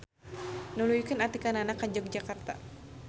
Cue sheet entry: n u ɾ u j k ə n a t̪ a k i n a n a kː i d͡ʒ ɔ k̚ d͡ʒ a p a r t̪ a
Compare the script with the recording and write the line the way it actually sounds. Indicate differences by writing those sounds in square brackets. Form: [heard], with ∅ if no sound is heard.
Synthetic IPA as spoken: n u [l] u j k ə n a t̪ [i] k [a] n a n a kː [a] d͡ʒ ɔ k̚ d͡ʒ a [k] a r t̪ a

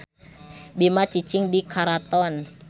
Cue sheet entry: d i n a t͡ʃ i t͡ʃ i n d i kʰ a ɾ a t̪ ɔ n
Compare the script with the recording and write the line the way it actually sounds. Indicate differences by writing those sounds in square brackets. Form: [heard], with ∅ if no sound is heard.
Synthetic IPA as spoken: [b] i [m] a t͡ʃ i t͡ʃ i [ŋ] d i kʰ a ɾ a t̪ ɔ n

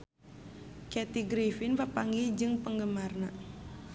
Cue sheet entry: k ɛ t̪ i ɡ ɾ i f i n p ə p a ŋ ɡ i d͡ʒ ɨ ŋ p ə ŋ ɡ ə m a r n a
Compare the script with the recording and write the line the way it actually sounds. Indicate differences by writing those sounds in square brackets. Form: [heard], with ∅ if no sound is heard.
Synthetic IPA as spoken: k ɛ t̪ i ɡ ɾ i f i n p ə p a ŋ ɡ i d͡ʒ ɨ ŋ p ə ŋ ɡ ə m a r n a

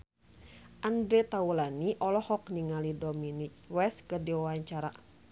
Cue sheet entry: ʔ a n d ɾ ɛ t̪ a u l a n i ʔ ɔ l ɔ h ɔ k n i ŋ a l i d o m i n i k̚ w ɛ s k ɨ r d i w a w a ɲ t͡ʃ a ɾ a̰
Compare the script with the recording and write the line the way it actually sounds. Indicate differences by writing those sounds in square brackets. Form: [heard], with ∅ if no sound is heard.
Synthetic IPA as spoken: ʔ a n d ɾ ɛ t̪ a u l a n i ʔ ɔ l ɔ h ɔ k n i ŋ a l i d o m i n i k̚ w ɛ s k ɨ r d i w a w a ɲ t͡ʃ a ɾ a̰

